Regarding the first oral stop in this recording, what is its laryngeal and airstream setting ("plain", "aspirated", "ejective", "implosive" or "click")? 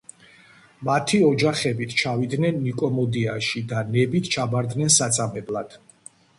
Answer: aspirated